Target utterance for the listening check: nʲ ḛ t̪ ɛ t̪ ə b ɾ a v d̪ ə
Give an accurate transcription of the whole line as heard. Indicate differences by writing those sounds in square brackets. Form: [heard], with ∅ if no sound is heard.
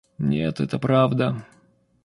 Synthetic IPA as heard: nʲ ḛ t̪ ɛ t̪ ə [p] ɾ a v d̪ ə